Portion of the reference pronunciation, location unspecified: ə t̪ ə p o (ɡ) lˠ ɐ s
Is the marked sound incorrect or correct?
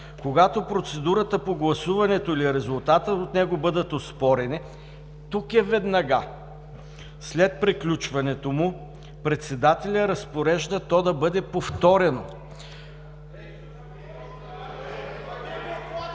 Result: correct